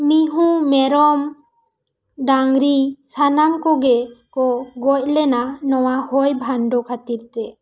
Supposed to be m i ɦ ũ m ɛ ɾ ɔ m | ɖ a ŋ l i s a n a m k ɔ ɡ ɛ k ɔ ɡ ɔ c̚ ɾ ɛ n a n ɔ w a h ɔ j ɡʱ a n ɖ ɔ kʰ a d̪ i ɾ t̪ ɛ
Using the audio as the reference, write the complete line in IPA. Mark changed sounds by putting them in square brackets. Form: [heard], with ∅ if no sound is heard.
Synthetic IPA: m i ɦ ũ m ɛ ɾ ɔ m | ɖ a ŋ [ɾ] i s a n a m k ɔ ɡ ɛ k ɔ ɡ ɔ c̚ [l] ɛ n a n ɔ w a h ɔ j [bʱ] a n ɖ ɔ kʰ a [t̪] i ɾ t̪ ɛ